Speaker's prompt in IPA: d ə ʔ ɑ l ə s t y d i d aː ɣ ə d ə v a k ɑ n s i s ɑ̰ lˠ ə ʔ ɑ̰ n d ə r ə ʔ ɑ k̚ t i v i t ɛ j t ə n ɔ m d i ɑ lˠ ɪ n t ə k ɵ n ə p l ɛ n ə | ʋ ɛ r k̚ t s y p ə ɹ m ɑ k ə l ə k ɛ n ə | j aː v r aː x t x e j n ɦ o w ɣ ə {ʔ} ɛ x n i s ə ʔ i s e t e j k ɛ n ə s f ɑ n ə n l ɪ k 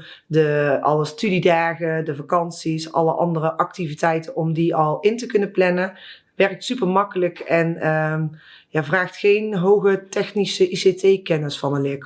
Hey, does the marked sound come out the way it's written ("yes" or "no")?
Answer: no